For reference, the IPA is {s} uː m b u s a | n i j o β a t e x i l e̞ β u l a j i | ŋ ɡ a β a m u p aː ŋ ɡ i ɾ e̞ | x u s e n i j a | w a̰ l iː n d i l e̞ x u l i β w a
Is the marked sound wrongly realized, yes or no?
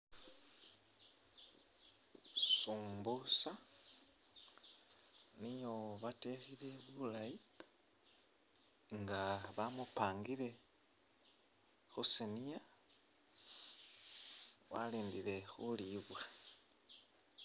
no